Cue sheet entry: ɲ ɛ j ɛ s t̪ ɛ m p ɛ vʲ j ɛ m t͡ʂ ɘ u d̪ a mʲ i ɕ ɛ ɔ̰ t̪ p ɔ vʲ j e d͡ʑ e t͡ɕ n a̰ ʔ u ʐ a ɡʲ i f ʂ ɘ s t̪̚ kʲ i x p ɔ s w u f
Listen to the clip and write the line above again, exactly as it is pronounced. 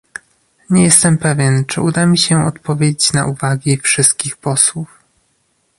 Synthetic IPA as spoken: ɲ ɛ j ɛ s t̪ ɛ m p ɛ vʲ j ɛ n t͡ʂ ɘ u d̪ a mʲ i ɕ ɛ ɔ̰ t̪ p ɔ vʲ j e d͡ʑ e t͡ɕ n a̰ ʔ u v a ɡʲ i f ʂ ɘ s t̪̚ kʲ i x p ɔ s w u f

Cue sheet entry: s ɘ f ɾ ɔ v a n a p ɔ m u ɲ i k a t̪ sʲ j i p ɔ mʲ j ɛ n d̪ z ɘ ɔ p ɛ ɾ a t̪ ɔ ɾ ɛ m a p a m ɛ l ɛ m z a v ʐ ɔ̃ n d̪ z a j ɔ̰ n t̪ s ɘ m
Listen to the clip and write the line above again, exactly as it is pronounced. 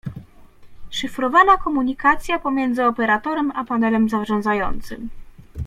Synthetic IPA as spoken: ʂ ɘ f ɾ ɔ v a n a k ɔ m u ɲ i k a t̪ sʲ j a p ɔ mʲ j ɛ n d̪ z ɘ ɔ p ɛ ɾ a t̪ ɔ ɾ ɛ m a p a n ɛ l ɛ m z a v ʐ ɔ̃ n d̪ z a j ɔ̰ n t̪ s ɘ m

